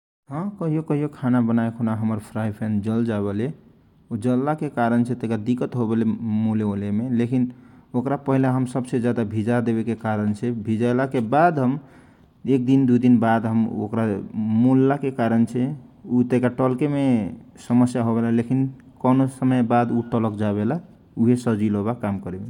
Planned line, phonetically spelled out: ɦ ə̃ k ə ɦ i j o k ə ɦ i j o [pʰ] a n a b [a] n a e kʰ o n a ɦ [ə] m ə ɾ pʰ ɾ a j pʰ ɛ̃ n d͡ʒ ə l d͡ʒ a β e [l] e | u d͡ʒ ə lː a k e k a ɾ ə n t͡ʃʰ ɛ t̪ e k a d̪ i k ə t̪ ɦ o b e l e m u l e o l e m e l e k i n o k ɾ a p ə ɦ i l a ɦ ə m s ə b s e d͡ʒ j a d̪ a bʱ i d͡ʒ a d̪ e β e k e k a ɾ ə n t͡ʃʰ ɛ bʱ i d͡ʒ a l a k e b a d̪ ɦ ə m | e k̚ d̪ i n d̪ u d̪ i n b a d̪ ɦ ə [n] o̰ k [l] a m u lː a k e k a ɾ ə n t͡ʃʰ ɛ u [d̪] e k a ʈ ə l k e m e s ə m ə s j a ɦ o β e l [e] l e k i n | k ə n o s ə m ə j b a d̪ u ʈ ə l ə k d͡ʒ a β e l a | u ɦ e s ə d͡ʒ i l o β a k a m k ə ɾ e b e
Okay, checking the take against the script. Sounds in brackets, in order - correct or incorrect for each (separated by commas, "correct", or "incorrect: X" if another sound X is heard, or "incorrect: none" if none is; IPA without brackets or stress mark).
incorrect: kʰ, incorrect: ə, correct, correct, incorrect: m, incorrect: ɾ, incorrect: t̪, incorrect: a